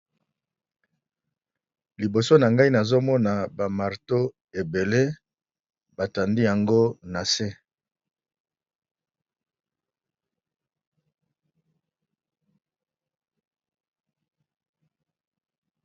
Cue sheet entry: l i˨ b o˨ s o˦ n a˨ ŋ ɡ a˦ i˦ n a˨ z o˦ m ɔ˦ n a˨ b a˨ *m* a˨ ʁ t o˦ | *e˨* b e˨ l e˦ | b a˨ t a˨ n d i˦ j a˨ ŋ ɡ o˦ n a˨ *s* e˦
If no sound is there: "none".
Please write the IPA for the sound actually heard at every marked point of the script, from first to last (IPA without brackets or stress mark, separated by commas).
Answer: m, e˨, s